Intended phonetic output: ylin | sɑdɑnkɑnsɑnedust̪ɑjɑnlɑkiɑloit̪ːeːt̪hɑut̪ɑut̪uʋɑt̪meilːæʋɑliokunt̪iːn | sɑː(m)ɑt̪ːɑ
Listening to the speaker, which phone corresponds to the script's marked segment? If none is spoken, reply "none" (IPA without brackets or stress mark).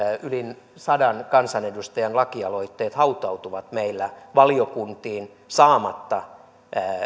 m